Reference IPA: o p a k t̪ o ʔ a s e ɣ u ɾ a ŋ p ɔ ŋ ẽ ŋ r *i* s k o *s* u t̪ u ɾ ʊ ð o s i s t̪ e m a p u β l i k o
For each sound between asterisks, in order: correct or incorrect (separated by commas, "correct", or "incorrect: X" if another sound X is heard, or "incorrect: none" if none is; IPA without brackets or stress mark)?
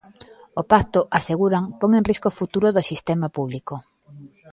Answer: correct, incorrect: f